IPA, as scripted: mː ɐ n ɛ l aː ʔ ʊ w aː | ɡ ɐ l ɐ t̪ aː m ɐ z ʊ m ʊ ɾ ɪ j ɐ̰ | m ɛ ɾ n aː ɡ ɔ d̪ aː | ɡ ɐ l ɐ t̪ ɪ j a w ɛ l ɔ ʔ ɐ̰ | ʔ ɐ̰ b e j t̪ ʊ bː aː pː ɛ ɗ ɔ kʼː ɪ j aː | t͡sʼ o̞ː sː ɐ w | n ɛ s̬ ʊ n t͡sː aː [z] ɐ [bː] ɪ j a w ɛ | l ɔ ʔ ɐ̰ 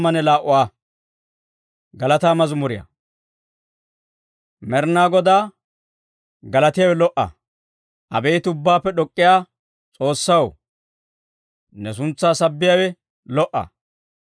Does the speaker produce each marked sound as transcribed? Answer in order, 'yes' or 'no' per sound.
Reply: no, yes

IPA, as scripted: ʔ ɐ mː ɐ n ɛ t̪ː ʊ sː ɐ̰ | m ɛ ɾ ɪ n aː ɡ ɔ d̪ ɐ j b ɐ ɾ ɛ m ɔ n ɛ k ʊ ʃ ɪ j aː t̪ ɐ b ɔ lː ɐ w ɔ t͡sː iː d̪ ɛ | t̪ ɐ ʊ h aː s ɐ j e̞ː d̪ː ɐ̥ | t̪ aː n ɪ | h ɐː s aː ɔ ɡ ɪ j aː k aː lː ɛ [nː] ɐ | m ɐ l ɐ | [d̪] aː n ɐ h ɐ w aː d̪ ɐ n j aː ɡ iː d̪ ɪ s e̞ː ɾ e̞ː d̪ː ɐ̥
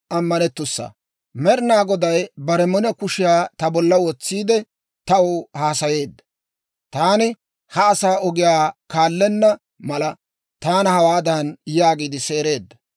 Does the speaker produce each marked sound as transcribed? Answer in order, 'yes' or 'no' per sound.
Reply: yes, no

